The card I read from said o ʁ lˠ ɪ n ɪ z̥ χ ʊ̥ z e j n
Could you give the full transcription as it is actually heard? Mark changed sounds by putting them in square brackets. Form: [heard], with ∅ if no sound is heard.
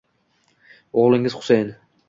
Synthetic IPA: o ʁ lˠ ɪ [ŋ] ɪ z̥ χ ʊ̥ [s] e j n